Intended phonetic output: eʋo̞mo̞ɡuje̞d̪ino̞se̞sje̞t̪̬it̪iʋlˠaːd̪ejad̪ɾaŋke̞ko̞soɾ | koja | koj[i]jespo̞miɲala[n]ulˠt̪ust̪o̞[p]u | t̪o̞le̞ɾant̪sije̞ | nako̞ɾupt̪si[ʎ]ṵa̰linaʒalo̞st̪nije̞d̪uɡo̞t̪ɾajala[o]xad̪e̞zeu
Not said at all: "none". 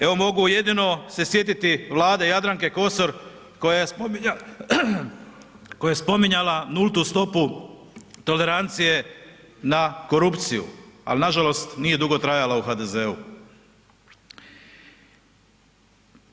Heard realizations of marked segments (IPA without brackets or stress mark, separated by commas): a, n, p, j, u